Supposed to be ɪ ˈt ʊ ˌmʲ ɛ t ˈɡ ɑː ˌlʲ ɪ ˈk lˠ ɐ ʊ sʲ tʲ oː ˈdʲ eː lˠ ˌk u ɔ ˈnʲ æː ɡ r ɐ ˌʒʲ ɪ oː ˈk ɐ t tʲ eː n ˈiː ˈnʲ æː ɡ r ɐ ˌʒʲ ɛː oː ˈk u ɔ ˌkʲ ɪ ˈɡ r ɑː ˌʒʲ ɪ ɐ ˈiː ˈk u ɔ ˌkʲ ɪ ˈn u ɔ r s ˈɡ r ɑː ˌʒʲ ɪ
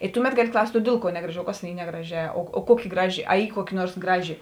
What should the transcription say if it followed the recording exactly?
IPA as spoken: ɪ ˈt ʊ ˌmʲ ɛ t ˈɡ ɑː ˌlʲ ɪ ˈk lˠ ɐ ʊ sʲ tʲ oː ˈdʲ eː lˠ ˌk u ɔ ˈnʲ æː ɡ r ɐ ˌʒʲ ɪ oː ˈk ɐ s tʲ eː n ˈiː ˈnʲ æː ɡ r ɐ ˌʒʲ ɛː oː ˈk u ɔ ˌkʲ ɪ ˈɡ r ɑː ˌʒʲ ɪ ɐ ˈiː ˈk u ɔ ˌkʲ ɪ ˈn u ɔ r s ˈɡ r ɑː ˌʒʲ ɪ